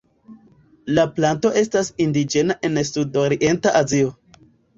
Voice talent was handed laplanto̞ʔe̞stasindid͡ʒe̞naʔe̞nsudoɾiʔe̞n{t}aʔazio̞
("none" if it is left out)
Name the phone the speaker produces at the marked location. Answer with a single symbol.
t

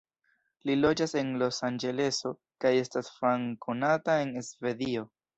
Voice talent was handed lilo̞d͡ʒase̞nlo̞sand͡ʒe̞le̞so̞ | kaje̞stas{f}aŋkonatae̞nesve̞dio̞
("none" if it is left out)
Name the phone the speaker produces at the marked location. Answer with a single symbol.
f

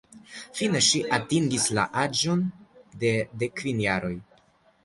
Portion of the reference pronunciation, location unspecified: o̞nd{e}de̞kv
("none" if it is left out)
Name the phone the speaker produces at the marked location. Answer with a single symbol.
e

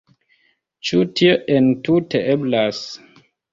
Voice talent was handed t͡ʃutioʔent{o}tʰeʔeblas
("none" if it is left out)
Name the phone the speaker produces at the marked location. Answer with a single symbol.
u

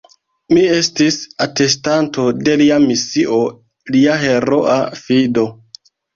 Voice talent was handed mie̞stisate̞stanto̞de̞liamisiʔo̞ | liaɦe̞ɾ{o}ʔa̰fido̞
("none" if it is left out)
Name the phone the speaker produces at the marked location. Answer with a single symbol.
o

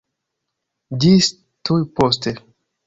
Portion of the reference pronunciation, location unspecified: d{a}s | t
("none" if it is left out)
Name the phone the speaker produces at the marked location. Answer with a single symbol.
i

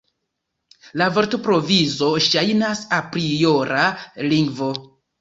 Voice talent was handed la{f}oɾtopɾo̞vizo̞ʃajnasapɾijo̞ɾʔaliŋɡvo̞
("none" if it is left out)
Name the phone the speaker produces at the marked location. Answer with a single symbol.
v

